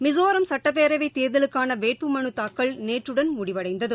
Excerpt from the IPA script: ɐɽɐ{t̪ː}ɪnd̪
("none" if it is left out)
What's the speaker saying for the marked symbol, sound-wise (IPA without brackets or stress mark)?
none